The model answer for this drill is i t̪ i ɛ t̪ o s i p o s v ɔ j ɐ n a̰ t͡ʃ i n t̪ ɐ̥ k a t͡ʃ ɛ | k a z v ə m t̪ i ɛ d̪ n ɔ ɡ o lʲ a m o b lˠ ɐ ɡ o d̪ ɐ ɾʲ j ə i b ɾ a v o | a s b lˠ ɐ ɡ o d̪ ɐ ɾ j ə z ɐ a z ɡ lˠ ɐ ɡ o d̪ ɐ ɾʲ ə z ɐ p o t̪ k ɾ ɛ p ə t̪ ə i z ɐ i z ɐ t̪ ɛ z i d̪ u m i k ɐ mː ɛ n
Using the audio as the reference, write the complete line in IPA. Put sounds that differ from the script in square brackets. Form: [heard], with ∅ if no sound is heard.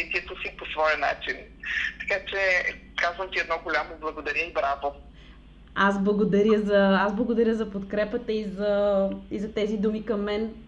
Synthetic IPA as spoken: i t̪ i ɛ t̪ o s i p o s v ɔ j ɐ n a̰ t͡ʃ i n t̪ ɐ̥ k a t͡ʃ ɛ | k a z v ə m t̪ i ɛ d̪ n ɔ ɡ o lʲ a m o b lˠ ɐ ɡ o d̪ ɐ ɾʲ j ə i b ɾ a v o | a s b lˠ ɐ ɡ o d̪ ɐ ɾ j ə z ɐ a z [b] lˠ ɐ ɡ o d̪ ɐ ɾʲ ə z ɐ p o t̪ k ɾ ɛ p ə t̪ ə i z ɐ i z ɐ t̪ ɛ z i d̪ u m i k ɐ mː ɛ n